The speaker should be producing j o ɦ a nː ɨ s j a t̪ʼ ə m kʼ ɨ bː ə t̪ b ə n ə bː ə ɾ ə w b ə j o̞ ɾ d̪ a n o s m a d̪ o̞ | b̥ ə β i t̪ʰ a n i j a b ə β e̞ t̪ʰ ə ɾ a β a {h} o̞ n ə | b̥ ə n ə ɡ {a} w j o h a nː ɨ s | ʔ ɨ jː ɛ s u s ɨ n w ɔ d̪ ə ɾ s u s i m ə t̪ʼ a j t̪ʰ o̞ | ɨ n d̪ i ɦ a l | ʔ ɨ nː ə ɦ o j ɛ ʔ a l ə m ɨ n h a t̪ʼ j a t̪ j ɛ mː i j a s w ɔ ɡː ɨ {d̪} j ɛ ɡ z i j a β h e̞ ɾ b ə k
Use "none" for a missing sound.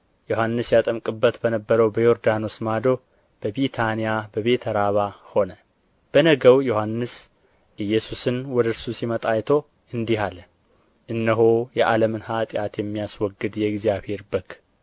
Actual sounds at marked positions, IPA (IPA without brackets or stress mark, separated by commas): h, ə, d̪